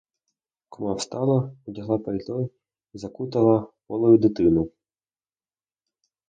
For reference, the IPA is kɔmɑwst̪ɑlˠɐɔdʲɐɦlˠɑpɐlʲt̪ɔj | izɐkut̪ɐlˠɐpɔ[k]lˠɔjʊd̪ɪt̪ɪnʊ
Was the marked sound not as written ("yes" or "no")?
yes